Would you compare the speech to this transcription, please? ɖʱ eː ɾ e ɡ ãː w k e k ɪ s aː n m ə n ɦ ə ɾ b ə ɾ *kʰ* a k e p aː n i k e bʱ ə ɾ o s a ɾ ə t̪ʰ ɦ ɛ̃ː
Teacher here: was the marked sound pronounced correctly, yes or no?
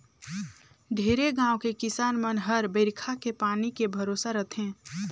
yes